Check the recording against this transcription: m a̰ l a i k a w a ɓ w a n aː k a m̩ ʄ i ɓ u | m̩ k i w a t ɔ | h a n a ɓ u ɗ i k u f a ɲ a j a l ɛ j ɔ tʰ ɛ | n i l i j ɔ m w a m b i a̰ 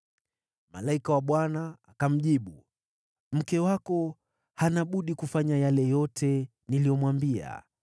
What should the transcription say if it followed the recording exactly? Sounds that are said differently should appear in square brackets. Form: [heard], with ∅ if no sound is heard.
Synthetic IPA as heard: m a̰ l a i k a w a ɓ w a n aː k a m̩ ʄ i ɓ u | m̩ k [ɛ] w a [k] ɔ | h a n a ɓ u ɗ i k u f a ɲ a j a l ɛ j ɔ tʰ ɛ | n i l i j ɔ m w a m b i a̰